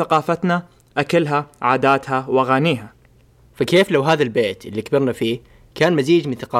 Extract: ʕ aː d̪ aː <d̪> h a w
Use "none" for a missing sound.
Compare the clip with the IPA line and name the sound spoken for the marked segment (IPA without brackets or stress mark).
t̪